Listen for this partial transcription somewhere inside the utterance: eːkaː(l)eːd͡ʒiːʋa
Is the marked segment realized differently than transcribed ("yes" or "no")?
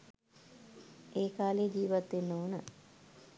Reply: no